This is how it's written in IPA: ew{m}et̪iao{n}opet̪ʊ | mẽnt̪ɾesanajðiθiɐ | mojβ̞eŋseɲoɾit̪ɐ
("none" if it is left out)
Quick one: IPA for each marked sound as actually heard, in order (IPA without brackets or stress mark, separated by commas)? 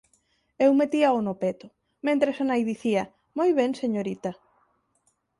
m, n